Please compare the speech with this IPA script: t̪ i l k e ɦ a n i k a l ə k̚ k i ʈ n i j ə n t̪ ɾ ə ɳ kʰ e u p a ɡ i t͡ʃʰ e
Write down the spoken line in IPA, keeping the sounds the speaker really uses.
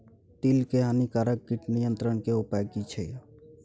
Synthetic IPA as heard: t̪ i l k e ɦ a n i k a ɾ ə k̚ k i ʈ n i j ə n t̪ ɾ ə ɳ k e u p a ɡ i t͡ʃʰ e